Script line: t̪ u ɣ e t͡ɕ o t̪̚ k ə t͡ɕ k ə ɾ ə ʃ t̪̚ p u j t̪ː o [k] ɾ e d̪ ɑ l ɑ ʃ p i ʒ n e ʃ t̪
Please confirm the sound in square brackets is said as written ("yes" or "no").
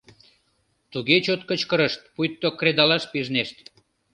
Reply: yes